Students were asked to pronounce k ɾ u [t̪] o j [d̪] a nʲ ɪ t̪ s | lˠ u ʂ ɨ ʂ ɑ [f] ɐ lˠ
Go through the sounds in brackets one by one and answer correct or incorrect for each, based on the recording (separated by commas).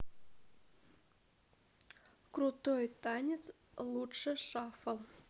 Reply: correct, incorrect, correct